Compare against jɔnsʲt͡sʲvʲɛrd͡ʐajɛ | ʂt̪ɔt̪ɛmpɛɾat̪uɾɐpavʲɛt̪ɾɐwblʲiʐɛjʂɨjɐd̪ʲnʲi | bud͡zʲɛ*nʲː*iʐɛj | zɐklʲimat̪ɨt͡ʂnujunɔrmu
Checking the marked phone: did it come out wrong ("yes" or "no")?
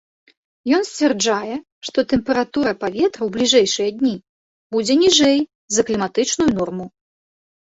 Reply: yes